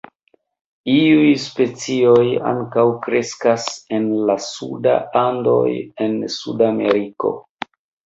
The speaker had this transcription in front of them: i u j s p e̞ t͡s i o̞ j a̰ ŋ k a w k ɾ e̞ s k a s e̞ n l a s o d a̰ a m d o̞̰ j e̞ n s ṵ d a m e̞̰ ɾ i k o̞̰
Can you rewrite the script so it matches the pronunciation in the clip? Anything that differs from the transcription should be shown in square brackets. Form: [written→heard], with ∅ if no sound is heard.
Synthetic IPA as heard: i u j s p e̞ t͡s i o̞ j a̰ ŋ k a w k ɾ e̞ s k a s e̞ n l a s [o→u] d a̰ a [m→n] d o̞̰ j e̞ n s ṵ d a m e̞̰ ɾ i k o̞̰